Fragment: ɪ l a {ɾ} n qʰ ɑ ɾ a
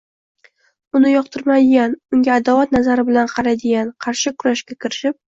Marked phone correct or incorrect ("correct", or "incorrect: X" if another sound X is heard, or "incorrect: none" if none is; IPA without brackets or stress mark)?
incorrect: none